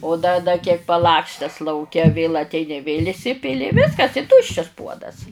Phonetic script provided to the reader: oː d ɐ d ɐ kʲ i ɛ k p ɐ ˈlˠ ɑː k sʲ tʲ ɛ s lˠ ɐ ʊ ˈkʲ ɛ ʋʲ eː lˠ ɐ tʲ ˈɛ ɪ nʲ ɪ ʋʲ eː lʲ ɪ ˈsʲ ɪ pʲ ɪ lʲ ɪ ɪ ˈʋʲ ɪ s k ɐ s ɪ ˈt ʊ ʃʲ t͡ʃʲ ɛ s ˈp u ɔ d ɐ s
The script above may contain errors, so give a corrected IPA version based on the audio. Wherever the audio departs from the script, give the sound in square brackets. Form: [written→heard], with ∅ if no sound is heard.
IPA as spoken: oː d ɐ d ɐ kʲ i ɛ k p ɐ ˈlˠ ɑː k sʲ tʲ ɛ s lˠ ɐ ʊ ˈkʲ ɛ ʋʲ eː lˠ ɐ tʲ ˈɛ ɪ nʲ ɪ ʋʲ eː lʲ ɪ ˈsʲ ɪ pʲ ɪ lʲ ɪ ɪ ˈʋʲ ɪ s k ɐ s ɪ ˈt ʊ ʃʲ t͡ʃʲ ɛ s ˈp u ɔ d ɐ s

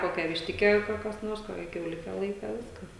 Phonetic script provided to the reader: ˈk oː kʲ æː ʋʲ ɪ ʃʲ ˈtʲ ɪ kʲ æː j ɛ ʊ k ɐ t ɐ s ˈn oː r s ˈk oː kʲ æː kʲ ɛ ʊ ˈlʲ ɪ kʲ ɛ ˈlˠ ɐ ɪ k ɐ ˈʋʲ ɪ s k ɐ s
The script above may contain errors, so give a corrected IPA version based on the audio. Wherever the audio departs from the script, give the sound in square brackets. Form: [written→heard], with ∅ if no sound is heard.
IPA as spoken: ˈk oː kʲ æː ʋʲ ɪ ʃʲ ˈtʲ ɪ kʲ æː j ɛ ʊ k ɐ [t→k] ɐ s ˈn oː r s ˈk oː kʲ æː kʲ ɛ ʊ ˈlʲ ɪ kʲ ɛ ˈlˠ ɐ ɪ k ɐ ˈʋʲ ɪ s k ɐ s

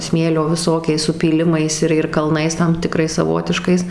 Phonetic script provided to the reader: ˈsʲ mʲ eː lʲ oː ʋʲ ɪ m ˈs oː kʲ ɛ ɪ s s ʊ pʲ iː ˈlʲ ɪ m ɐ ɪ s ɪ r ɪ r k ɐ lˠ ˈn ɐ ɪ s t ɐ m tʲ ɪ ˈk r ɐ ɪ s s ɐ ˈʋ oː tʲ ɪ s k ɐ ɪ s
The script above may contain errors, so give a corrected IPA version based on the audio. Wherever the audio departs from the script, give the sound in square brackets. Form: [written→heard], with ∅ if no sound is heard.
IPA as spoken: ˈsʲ mʲ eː lʲ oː ʋʲ ɪ [m→∅] ˈs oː kʲ ɛ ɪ s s ʊ pʲ iː ˈlʲ ɪ m ɐ ɪ s ɪ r ɪ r k ɐ lˠ ˈn ɐ ɪ s t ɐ m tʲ ɪ ˈk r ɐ ɪ s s ɐ ˈʋ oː tʲ ɪ [s→ʃ] k ɐ ɪ s

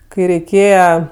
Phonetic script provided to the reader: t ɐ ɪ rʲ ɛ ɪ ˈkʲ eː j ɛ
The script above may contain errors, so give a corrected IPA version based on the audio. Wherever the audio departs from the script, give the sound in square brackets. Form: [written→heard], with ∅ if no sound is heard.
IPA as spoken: [t→k] ɐ ɪ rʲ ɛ ɪ ˈkʲ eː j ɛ

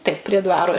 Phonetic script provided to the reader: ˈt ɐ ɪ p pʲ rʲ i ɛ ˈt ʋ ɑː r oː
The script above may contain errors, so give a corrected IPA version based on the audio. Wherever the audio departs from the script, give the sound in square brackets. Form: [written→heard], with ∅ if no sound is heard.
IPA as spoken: ˈt ɐ ɪ p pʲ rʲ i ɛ [ˈt→ˈd] ʋ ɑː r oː

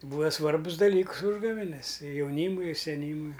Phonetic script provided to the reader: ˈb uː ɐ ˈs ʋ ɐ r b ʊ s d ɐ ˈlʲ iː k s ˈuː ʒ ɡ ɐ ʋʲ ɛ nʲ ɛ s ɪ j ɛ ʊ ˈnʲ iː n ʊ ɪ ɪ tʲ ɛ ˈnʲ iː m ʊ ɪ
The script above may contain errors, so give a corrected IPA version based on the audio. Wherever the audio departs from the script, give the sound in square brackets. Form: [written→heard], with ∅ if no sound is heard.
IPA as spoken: ˈb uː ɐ ˈs ʋ ɐ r b ʊ s d ɐ ˈlʲ iː k s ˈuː ʒ ɡ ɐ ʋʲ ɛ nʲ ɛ s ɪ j ɛ ʊ ˈnʲ iː [n→m] ʊ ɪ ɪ [tʲ→sʲ] ɛ ˈnʲ iː m ʊ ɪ

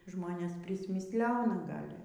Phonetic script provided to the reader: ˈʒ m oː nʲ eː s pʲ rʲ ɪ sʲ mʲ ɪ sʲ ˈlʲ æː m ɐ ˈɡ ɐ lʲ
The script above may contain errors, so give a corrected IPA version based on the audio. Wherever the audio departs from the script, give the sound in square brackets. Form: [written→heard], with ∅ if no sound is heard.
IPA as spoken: ˈʒ m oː nʲ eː s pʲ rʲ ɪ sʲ mʲ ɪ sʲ ˈlʲ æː [m→n] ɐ ˈɡ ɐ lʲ

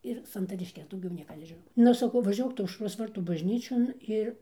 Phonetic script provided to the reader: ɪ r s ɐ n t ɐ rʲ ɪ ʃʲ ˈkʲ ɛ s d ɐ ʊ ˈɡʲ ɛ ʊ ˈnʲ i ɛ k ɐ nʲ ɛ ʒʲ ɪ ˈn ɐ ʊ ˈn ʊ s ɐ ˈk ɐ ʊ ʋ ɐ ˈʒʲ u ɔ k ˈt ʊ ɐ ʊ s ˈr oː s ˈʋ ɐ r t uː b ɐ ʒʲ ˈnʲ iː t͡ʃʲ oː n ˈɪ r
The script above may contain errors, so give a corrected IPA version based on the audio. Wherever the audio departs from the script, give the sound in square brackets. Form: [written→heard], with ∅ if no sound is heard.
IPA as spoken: ɪ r s ɐ n t ɐ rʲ ɪ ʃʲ ˈkʲ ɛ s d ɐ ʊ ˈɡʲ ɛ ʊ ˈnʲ i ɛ k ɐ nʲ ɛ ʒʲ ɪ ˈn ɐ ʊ ˈn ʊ s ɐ ˈk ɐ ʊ ʋ ɐ ˈʒʲ u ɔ k ˈt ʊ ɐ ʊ [s→ʃ] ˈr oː s ˈʋ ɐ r t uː b ɐ ʒʲ ˈnʲ iː t͡ʃʲ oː n ˈɪ r

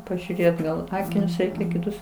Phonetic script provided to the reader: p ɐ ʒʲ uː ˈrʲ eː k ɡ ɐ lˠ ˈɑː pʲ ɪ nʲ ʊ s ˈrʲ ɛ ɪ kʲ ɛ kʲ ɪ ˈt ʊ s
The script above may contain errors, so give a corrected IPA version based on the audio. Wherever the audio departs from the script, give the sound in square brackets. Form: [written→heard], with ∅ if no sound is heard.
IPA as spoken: p ɐ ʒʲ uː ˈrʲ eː [k→t] ɡ ɐ lˠ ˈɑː [pʲ→kʲ] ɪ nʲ ʊ s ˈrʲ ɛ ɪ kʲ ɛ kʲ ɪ ˈt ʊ s

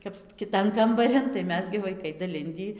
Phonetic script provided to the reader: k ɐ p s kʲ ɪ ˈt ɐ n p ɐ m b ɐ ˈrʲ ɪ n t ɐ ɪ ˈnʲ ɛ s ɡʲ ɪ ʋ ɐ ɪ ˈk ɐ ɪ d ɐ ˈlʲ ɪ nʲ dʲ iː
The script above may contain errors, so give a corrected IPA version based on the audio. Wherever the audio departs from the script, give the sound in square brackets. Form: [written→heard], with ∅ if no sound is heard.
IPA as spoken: k ɐ p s kʲ ɪ ˈt ɐ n [p→k] ɐ m b ɐ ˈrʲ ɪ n t ɐ ɪ [ˈnʲ→ˈmʲ] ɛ s ɡʲ ɪ ʋ ɐ ɪ ˈk ɐ ɪ d ɐ ˈlʲ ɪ nʲ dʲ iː

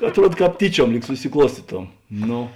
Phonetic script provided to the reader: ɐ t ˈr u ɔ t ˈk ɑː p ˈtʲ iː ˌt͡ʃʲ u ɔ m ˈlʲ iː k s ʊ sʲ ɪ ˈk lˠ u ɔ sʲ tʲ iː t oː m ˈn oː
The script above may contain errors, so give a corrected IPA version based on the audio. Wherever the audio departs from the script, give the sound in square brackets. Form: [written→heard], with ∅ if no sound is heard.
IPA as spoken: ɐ t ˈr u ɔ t ˈk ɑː p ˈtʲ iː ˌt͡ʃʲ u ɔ m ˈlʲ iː k s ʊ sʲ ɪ ˈk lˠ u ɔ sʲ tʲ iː t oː m ˈn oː

